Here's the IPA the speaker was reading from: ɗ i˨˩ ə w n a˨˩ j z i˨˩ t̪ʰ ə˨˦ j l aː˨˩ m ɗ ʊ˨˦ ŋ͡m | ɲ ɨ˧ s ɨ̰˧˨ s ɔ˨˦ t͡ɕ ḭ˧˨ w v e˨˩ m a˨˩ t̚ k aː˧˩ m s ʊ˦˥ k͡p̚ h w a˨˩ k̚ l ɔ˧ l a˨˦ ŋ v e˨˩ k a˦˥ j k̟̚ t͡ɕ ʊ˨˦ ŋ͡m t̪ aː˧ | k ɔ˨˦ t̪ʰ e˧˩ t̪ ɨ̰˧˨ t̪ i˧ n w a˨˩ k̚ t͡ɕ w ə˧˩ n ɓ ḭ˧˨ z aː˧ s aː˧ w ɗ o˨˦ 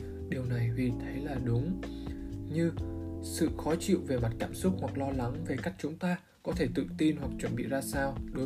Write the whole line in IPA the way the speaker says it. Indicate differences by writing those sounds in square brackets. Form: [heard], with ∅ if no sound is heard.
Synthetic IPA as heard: ɗ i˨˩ ə w n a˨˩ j [v] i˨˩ t̪ʰ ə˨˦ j l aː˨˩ [∅] ɗ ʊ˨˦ ŋ͡m | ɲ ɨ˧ s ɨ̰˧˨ [x] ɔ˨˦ t͡ɕ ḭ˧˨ w v e˨˩ m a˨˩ t̚ k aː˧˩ m s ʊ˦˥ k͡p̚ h w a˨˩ k̚ l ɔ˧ l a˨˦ ŋ v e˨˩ k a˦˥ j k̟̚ t͡ɕ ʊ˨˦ ŋ͡m t̪ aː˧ | k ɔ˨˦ t̪ʰ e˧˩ t̪ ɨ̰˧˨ t̪ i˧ n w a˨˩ k̚ t͡ɕ w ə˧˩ n ɓ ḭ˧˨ z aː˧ s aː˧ w ɗ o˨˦